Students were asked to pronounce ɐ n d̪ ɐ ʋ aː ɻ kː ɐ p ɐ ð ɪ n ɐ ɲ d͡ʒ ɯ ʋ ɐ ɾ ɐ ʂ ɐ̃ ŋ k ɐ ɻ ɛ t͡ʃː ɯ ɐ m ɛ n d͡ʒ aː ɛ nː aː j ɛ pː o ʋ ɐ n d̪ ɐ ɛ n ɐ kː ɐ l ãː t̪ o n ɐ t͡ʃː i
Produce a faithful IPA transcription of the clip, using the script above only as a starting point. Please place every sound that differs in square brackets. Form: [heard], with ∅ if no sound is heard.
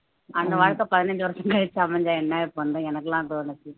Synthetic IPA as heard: ɐ n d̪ ɐ ʋ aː ɻ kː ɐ p ɐ ð ɪ n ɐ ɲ d͡ʒ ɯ ʋ ɐ ɾ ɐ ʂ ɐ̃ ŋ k ɐ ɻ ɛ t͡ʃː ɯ ɐ m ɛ [ɲ] d͡ʒ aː ɛ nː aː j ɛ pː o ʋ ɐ n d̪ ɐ ɛ n ɐ kː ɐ l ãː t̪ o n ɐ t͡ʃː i